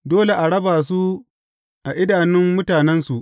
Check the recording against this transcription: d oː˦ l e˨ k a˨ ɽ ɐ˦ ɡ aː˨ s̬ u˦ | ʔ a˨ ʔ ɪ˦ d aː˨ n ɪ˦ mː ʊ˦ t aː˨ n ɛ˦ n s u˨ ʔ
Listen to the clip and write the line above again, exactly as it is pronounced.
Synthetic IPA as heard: d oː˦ l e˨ ʔ a˨ ɽ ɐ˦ b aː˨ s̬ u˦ | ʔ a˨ ʔ ɪ˦ d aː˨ n ɪ˦ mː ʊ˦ t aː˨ n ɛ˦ n s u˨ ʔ